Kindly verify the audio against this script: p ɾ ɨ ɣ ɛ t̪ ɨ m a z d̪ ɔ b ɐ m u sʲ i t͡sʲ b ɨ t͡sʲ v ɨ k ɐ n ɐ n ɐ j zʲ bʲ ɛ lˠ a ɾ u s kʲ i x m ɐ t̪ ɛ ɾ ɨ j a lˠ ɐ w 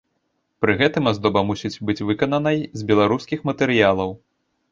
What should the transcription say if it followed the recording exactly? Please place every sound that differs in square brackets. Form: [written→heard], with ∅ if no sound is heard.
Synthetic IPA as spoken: p ɾ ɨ ɣ ɛ t̪ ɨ m a z d̪ ɔ b ɐ m u sʲ i t͡sʲ b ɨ t͡sʲ v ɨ k ɐ n ɐ n ɐ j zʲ bʲ ɛ lˠ a ɾ u s kʲ i x m ɐ t̪ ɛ ɾ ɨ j a lˠ ɐ w